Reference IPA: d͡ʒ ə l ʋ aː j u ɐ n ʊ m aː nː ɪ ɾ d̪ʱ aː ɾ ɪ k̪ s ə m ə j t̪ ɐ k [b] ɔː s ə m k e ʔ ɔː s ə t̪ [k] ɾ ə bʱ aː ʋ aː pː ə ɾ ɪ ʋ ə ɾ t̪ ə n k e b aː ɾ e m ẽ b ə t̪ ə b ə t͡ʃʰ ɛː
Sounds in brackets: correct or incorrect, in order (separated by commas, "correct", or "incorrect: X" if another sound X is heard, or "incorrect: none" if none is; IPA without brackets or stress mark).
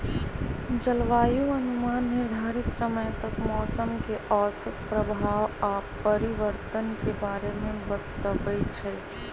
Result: incorrect: m, incorrect: p